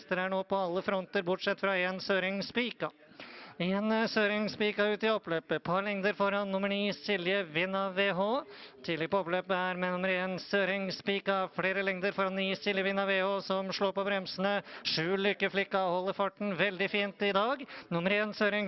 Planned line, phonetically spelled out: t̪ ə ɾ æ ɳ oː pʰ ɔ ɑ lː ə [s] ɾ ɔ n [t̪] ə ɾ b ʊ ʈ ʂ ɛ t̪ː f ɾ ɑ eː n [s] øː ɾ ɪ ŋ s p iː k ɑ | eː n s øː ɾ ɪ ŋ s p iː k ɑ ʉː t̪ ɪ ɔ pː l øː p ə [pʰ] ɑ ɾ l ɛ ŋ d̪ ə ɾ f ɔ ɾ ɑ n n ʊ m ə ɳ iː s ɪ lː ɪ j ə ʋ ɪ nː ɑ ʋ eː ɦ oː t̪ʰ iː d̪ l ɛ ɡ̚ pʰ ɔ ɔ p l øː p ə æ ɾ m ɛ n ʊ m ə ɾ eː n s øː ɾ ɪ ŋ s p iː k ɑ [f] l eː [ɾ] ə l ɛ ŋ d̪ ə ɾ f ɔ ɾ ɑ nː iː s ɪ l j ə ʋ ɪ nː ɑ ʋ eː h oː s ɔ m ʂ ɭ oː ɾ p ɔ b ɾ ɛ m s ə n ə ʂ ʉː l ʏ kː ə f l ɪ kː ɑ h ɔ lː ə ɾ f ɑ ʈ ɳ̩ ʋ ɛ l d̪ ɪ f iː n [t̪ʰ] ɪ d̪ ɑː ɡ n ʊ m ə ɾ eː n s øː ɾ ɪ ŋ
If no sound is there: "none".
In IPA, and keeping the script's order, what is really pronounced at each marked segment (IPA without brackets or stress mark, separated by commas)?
f, t̪, s, pʰ, f, ɾ, t̪